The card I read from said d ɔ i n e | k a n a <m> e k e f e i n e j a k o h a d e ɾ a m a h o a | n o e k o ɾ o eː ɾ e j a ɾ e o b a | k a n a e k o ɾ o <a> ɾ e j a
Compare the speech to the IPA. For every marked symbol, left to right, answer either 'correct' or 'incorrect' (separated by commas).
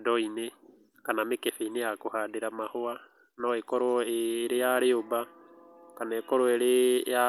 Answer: correct, incorrect